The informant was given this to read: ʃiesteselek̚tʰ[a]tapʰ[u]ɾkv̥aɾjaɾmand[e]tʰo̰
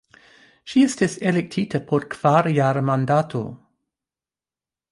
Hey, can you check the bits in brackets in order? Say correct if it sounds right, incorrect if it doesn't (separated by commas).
incorrect, incorrect, incorrect